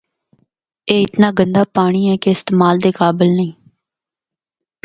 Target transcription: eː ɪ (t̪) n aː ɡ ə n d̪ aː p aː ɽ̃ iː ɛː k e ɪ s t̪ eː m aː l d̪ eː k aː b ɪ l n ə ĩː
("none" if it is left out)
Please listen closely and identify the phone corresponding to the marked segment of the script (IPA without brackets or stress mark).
t̪